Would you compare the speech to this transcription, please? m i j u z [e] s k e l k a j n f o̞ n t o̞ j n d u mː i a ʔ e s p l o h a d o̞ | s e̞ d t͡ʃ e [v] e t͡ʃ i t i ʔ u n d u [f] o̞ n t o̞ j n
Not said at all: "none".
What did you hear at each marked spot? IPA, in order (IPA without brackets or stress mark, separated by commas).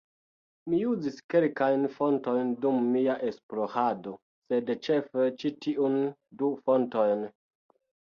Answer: i, f, f